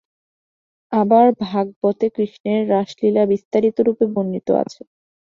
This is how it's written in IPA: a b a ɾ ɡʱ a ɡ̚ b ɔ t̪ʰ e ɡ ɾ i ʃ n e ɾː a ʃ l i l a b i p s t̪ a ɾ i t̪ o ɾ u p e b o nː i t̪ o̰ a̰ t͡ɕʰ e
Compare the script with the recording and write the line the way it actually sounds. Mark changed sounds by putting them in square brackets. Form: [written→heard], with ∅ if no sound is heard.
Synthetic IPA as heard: a b a ɾ [ɡʱ→bʱ] a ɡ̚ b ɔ [t̪ʰ→t̪] e [ɡ→k] ɾ i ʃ n e ɾː a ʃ l i l a b i [p→∅] s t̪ a ɾ i t̪ o ɾ u p e b o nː i t̪ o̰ a̰ t͡ɕʰ e